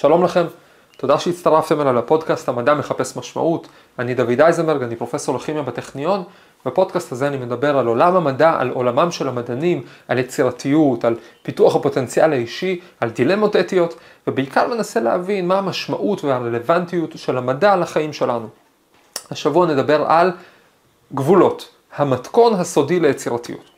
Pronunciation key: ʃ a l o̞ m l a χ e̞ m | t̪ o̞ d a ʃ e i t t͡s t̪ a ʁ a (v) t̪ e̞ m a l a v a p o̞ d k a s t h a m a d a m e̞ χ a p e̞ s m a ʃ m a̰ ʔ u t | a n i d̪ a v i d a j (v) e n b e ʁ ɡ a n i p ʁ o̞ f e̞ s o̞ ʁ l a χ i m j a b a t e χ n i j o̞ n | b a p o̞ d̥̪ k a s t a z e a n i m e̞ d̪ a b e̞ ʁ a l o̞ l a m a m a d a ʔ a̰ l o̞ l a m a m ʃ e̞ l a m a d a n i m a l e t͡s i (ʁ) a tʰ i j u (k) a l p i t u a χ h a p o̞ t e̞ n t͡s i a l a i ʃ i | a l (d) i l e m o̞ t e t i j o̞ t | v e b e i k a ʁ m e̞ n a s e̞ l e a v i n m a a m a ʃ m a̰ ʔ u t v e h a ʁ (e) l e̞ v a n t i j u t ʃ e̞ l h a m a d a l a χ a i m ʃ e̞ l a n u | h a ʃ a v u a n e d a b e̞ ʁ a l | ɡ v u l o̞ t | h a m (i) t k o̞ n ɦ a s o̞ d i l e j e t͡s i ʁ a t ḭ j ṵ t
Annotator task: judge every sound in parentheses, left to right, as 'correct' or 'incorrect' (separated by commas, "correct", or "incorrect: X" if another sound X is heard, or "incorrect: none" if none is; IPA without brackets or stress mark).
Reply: incorrect: f, incorrect: z, correct, incorrect: t, correct, correct, incorrect: a